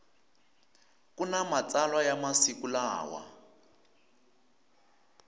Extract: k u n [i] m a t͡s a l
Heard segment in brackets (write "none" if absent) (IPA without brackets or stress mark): a